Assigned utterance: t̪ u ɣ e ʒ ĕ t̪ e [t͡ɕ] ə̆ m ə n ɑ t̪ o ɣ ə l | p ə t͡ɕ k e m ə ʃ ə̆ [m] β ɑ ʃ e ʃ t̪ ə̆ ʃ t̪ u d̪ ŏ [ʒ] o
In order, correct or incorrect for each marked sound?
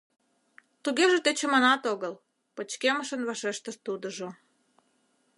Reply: correct, incorrect: n, correct

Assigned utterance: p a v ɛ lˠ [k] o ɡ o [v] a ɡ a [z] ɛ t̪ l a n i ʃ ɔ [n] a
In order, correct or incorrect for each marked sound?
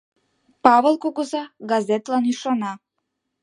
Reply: correct, incorrect: z, correct, correct

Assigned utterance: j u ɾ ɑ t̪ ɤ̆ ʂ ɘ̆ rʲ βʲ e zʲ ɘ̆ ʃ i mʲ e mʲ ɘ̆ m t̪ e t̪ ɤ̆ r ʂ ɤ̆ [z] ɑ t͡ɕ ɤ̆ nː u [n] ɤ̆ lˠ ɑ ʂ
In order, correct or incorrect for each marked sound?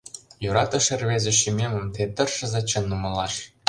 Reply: correct, incorrect: m

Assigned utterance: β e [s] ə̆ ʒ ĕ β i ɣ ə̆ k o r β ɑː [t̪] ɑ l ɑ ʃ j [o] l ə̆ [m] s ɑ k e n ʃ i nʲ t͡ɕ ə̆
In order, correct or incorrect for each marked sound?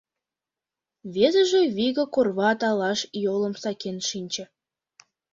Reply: incorrect: z, correct, correct, correct

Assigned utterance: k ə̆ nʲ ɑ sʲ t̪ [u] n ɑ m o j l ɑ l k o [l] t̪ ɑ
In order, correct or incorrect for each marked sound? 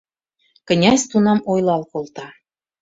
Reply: correct, correct

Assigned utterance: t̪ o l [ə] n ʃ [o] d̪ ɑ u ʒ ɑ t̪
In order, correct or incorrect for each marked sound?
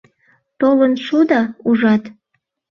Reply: correct, incorrect: u

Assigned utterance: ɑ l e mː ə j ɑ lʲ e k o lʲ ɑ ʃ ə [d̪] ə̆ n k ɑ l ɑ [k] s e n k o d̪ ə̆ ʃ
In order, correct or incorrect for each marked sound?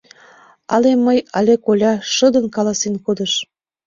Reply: correct, incorrect: none

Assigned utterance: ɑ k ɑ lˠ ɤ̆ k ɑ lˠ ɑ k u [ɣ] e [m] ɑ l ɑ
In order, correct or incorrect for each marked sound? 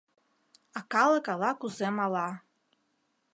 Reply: incorrect: z, correct

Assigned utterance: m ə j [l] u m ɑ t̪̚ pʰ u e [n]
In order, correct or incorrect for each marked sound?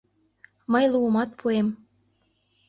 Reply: correct, incorrect: m

